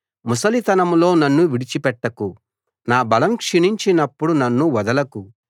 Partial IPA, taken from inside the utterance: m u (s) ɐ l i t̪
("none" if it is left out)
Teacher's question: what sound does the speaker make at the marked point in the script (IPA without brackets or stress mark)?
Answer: s